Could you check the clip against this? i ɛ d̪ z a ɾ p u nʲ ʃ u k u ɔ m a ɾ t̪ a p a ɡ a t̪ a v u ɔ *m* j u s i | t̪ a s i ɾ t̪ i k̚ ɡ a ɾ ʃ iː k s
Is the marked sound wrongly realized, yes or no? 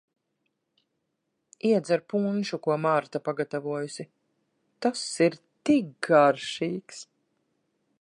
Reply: yes